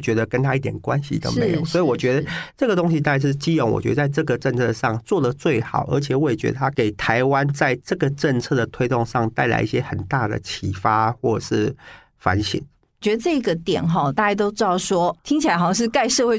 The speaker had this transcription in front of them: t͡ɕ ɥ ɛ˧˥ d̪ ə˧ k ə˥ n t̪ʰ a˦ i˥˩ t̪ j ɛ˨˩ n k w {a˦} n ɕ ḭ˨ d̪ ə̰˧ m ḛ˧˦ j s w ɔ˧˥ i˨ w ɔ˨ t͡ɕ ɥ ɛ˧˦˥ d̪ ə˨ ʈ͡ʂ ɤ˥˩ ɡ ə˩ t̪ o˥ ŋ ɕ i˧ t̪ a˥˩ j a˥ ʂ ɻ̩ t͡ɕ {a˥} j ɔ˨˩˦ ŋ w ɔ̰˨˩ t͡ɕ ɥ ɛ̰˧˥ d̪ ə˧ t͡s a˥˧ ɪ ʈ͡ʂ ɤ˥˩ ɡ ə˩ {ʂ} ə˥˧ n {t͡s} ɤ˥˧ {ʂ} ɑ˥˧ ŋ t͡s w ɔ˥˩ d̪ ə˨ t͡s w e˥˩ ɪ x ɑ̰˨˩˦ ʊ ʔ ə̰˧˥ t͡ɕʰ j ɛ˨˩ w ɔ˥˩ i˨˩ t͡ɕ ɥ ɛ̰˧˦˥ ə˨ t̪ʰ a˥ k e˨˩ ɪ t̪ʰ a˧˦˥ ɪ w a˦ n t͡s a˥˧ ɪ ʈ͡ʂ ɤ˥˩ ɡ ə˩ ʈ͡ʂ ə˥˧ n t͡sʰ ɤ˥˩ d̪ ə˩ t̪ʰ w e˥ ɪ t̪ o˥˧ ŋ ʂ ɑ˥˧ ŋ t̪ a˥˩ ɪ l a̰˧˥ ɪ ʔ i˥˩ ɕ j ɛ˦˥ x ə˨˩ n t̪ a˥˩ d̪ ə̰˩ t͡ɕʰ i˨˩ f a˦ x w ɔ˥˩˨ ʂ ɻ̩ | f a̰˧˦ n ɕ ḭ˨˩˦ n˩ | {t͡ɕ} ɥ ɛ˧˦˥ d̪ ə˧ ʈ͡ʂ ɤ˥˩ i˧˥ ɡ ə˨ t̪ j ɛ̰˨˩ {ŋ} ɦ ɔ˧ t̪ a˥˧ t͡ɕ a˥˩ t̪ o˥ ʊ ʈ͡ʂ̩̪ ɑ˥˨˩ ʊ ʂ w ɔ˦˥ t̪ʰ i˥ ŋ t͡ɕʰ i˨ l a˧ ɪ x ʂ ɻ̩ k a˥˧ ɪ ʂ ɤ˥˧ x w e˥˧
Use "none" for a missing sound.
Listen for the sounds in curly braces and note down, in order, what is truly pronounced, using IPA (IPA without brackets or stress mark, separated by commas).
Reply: a˦, i˥, ʈ͡ʂ, t͡sʰ, ʂ, t͡ɕ, n